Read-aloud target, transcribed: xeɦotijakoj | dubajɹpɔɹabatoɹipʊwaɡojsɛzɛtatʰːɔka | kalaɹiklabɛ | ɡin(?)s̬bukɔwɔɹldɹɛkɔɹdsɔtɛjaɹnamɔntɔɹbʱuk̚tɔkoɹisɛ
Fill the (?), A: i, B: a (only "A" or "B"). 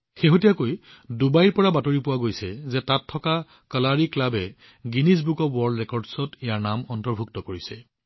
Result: A